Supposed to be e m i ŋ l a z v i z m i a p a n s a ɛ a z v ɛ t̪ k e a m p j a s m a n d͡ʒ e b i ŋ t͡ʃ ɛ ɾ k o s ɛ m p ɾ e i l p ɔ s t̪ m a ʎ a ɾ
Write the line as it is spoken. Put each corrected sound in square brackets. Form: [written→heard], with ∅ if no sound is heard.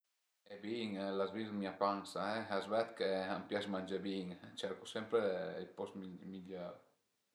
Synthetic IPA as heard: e [m→b] i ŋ l a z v i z m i a p a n s a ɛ a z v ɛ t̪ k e a m p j a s m a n d͡ʒ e b i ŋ t͡ʃ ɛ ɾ k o s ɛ m p ɾ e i l p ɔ s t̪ m [a→i] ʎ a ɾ